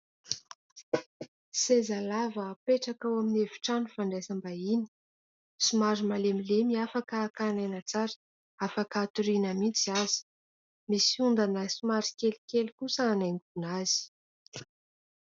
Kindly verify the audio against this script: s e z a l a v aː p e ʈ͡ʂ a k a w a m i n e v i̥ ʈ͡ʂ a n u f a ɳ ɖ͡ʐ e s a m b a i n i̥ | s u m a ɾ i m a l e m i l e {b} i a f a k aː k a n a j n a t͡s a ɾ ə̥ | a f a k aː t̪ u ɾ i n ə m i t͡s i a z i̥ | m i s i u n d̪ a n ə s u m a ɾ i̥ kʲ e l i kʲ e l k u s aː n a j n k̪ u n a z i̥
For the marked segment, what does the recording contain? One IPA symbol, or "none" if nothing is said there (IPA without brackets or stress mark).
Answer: m